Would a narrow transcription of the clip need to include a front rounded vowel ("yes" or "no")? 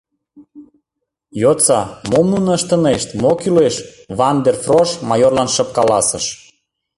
yes